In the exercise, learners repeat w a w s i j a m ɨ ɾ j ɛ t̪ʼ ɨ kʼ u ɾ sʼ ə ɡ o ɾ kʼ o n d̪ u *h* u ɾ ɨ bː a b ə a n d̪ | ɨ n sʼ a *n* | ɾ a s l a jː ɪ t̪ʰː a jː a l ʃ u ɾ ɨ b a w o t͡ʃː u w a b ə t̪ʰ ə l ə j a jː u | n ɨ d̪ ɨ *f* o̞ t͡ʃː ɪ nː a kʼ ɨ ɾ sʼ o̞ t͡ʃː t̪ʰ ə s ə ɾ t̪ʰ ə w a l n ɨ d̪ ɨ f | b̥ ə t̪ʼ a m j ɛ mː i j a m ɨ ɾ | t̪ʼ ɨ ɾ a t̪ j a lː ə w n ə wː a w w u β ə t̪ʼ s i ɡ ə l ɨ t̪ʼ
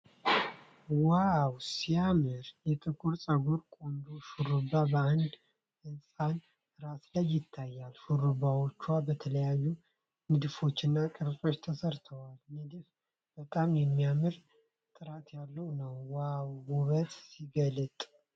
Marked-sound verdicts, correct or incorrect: incorrect: ʃ, correct, correct

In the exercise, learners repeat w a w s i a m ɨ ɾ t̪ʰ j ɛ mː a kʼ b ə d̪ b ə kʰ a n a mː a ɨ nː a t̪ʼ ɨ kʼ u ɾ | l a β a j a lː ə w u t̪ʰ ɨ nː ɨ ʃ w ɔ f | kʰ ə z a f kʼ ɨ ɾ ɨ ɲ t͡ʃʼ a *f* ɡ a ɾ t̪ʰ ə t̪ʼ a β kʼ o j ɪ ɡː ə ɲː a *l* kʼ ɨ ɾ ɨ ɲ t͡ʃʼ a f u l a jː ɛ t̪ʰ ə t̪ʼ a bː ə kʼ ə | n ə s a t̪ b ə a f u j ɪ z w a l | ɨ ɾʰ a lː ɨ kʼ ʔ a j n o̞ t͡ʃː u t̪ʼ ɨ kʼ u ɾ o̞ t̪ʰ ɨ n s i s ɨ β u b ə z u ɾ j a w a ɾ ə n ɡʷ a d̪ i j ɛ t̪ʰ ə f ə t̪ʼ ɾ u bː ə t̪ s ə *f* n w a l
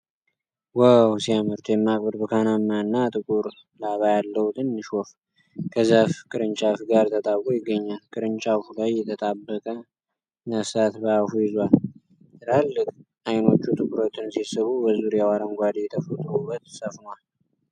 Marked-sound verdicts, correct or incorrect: correct, correct, correct

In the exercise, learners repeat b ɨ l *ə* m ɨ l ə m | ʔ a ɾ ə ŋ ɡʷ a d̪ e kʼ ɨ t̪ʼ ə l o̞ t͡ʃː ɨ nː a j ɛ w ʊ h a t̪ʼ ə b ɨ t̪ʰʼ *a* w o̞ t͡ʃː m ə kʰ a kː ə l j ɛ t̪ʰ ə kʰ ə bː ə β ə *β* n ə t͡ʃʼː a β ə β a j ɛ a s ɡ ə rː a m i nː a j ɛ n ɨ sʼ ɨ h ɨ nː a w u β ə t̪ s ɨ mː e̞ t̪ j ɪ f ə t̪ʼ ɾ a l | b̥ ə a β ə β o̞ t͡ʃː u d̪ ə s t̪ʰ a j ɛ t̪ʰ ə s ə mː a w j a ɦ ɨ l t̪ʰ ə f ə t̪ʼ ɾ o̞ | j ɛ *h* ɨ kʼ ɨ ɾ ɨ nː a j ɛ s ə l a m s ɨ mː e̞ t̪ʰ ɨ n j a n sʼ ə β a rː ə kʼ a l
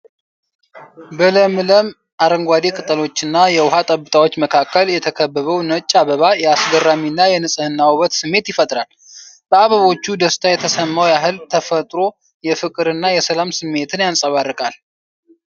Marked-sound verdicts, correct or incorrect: correct, correct, incorrect: w, incorrect: f

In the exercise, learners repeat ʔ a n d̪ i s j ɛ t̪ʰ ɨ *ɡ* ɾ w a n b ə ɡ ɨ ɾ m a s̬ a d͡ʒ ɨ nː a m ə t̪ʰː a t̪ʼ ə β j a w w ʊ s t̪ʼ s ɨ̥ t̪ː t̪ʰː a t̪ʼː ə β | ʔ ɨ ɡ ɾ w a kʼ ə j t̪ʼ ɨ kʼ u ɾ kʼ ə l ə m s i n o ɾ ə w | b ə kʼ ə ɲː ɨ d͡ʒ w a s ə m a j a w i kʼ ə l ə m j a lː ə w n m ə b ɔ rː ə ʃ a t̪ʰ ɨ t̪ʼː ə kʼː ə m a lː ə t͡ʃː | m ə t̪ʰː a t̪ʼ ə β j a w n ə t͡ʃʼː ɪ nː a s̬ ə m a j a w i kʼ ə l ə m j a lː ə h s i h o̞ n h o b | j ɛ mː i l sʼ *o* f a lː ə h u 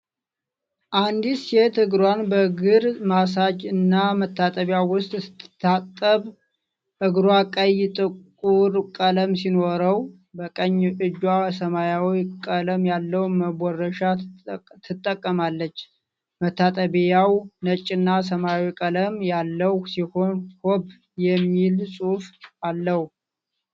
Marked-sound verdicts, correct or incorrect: correct, incorrect: u

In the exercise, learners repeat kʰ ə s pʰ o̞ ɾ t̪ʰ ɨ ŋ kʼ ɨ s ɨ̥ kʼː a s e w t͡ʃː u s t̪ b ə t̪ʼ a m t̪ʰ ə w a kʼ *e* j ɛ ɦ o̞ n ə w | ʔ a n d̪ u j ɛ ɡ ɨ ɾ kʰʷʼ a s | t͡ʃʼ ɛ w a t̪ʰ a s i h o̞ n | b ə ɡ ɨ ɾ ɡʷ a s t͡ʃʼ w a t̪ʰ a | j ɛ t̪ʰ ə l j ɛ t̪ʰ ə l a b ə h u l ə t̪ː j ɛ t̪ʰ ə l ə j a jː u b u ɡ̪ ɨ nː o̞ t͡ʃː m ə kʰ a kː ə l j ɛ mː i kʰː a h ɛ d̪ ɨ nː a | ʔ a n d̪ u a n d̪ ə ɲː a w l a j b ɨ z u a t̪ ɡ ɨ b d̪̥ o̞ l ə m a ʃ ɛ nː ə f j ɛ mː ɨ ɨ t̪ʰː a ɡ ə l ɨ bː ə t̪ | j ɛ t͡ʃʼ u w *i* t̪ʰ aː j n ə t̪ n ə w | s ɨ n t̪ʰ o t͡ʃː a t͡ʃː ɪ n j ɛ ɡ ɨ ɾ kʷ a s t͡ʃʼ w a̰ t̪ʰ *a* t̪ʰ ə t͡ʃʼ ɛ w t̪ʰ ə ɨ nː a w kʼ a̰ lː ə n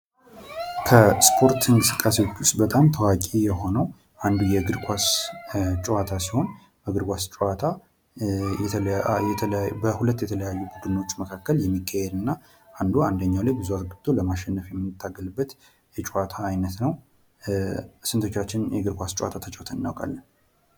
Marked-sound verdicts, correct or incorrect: incorrect: i, incorrect: a, correct

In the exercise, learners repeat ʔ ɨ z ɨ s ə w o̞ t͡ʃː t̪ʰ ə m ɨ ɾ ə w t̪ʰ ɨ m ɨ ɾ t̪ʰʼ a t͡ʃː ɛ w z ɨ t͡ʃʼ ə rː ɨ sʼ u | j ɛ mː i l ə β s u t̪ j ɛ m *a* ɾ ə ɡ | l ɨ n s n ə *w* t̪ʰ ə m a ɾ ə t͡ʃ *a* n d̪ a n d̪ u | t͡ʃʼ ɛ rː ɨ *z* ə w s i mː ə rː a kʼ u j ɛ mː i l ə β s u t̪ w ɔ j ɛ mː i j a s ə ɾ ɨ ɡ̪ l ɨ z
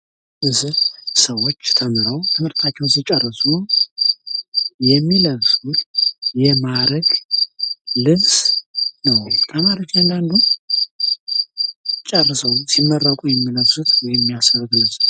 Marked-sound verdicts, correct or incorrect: correct, correct, correct, incorrect: s

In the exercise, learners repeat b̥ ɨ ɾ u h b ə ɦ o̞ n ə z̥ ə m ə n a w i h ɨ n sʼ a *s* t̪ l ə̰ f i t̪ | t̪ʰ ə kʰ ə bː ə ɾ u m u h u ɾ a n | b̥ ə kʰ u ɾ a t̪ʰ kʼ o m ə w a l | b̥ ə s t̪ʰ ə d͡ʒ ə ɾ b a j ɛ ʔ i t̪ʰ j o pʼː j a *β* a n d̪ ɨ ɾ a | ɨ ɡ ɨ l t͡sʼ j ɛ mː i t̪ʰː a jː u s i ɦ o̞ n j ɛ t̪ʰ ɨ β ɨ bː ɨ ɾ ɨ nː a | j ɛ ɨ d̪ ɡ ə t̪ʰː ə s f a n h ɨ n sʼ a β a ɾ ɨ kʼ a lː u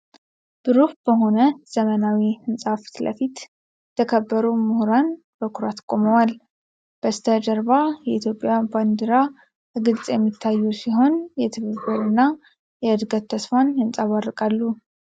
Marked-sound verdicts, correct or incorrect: incorrect: f, incorrect: b

